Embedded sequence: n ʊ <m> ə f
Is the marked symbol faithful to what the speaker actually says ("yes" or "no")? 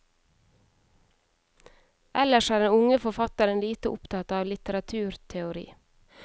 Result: no